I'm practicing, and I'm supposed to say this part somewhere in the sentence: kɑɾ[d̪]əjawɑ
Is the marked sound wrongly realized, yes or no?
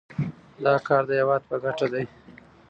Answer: no